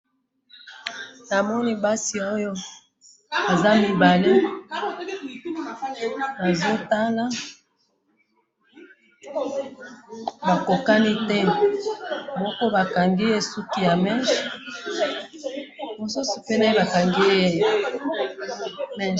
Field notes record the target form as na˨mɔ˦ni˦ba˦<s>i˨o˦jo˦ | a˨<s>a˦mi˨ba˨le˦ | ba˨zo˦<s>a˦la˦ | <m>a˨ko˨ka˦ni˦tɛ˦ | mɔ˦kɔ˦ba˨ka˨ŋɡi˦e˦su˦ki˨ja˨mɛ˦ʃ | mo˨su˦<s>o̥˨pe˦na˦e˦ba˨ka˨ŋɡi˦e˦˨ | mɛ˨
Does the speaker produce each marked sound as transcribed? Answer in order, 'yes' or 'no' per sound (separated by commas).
yes, no, no, no, yes